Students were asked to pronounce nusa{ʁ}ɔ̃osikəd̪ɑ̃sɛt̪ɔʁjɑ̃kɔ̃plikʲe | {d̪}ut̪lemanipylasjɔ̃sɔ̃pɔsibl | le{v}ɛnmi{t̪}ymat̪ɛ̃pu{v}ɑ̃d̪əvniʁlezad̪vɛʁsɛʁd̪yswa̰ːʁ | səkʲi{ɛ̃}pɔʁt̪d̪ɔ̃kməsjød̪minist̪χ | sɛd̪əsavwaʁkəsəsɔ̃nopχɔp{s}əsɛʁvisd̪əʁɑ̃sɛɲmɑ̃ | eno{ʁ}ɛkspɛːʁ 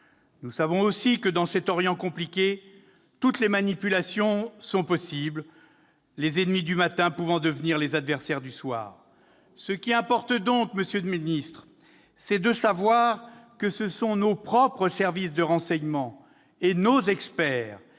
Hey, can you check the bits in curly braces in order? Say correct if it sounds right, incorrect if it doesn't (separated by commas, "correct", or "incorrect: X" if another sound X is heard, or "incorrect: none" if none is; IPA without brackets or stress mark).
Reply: incorrect: v, incorrect: t̪, incorrect: z, incorrect: d̪, correct, correct, incorrect: χ, incorrect: z